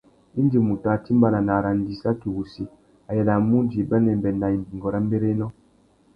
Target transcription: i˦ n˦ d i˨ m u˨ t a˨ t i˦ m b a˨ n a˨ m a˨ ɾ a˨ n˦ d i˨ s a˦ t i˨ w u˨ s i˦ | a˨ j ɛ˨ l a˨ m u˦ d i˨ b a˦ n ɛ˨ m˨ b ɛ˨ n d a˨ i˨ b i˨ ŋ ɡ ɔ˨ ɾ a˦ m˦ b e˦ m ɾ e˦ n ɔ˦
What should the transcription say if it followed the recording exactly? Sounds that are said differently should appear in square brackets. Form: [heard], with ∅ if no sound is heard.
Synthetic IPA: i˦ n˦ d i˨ m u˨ t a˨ t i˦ m b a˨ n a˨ [n] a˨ ɾ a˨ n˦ d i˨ s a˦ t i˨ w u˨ s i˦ | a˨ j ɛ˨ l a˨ m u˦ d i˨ b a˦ n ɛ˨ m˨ b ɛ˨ n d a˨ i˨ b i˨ ŋ ɡ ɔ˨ ɾ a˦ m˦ b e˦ [∅] ɾ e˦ n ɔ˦

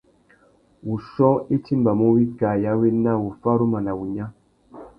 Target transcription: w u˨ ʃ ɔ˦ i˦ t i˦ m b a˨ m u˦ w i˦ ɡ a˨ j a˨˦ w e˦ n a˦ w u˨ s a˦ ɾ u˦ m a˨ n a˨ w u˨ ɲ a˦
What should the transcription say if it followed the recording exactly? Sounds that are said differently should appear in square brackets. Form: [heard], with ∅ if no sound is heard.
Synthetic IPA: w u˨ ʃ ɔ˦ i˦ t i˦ m b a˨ m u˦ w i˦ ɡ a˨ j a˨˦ w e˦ n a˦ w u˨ [f] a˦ ɾ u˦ m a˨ n a˨ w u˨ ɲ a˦

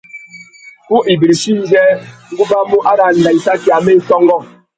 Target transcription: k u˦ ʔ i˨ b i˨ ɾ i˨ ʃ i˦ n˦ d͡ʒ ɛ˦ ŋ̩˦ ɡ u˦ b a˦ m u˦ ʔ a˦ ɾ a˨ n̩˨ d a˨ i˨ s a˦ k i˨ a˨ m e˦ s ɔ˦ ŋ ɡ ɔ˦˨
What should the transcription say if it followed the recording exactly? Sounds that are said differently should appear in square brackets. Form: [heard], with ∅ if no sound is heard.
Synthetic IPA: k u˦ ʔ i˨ b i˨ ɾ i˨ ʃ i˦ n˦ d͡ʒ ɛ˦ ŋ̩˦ ɡ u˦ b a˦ m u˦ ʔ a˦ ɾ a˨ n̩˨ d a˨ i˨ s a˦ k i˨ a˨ m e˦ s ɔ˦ ŋ ɡ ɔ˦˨

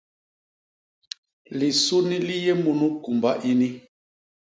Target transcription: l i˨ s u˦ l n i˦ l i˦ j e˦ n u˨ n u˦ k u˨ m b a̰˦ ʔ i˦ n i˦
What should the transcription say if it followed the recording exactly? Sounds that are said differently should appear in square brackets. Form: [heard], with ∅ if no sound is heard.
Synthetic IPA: l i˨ s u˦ [∅] n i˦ l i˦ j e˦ [m] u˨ n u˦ k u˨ m b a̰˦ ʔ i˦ n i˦

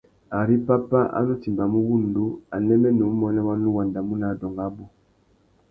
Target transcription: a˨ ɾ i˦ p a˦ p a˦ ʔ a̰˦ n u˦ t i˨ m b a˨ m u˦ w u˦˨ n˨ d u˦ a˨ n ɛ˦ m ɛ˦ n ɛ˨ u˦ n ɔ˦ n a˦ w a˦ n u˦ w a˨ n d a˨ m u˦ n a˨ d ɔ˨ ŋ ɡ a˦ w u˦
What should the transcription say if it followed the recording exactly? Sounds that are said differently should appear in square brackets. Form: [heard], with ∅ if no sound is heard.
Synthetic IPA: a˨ ɾ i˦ p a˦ p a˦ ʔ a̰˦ n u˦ t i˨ m b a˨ m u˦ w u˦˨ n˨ d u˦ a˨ n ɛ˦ m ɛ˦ n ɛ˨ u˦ [m] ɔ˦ n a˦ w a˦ n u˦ w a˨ n d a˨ m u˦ n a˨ d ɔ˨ ŋ ɡ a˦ [b] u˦

